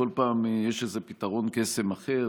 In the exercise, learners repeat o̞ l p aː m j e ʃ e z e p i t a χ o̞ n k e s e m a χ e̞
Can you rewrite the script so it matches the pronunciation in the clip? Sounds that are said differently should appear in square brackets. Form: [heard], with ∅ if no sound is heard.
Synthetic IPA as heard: o̞ l p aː m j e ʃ e z e p i t a [ʁ] o̞ n k e s e m a χ e̞